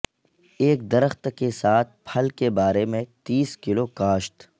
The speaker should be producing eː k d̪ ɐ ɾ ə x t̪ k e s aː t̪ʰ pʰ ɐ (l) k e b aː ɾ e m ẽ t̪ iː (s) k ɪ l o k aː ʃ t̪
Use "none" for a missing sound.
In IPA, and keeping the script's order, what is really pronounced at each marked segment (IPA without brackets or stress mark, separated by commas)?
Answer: l, s